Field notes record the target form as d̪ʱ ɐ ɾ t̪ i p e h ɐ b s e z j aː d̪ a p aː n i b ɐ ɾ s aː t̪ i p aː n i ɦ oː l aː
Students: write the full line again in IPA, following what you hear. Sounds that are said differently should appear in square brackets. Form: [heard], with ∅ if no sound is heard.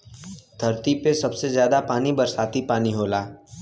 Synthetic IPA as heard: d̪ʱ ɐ ɾ t̪ i p e [s] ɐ b s e z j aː d̪ a p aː n i b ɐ ɾ s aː t̪ i p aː n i ɦ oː l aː